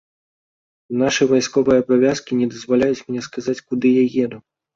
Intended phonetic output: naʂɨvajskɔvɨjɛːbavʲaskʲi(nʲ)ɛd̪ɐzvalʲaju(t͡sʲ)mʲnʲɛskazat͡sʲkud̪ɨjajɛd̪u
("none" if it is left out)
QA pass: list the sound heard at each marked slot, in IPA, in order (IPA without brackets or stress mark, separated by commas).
nʲ, t͡sʲ